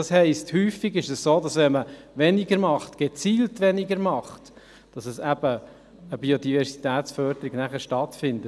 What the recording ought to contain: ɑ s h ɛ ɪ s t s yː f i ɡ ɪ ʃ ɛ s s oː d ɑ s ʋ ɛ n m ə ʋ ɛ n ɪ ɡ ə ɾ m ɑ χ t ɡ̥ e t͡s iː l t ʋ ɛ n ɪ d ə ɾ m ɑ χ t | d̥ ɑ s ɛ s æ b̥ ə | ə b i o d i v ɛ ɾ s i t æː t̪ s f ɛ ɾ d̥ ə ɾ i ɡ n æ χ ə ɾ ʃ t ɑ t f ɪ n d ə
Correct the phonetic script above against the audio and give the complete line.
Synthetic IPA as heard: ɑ s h ɛ ɪ s t h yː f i ɡ ɪ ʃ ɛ s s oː d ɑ s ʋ ɛ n m ə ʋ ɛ n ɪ ɡ ə ɾ m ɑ χ t ɡ̥ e t͡s iː l t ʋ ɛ n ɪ ɡ ə ɾ m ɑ χ t | d̥ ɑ s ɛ s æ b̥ ə | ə b i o d i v ɛ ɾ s i t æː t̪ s f œ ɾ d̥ ə ɾ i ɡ n æ χ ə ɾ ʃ t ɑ t f ɪ n d ə